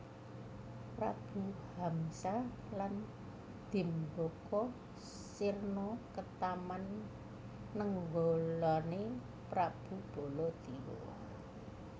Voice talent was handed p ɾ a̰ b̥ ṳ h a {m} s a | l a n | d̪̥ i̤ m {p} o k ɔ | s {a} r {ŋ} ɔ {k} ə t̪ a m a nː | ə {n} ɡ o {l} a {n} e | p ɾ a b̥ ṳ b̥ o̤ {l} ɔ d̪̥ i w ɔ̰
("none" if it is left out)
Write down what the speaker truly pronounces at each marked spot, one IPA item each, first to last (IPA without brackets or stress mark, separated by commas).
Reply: m, b, i, n, k, ŋ, l, n, l